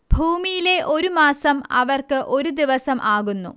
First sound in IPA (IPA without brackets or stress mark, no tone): bʱ